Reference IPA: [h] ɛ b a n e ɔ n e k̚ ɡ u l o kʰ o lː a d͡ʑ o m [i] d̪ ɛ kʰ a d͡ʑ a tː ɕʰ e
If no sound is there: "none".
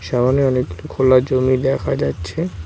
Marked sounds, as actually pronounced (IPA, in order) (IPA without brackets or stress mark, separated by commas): ʃ, i